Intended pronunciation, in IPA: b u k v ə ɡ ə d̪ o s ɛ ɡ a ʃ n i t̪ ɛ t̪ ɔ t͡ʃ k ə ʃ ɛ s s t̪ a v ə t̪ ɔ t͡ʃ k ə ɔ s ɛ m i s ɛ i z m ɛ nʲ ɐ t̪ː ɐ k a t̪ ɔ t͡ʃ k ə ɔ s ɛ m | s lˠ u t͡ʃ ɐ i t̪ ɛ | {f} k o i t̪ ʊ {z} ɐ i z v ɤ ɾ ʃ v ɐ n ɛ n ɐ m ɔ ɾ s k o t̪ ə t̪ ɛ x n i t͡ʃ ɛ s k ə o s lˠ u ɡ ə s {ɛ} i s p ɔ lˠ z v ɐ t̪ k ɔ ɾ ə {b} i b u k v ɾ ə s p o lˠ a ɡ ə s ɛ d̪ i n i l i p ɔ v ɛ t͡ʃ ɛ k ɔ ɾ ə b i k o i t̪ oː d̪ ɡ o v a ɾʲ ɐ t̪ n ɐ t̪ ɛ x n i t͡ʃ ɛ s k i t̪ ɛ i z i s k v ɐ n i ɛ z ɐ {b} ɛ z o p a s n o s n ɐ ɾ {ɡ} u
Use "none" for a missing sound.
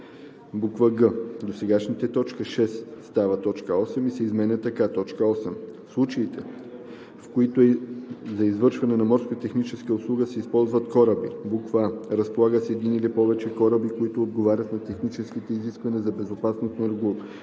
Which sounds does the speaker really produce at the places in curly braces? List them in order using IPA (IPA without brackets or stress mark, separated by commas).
f, z, ɛ, b, b, ɡ